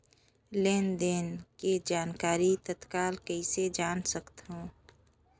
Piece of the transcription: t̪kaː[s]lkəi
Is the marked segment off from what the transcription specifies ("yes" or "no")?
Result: yes